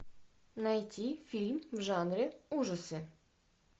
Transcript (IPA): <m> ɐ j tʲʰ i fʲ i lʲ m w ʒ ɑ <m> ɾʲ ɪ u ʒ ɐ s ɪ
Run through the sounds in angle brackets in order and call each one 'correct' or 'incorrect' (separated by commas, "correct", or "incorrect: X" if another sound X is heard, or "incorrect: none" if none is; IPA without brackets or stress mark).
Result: incorrect: n, incorrect: n